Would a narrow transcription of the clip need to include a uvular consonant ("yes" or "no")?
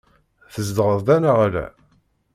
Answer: yes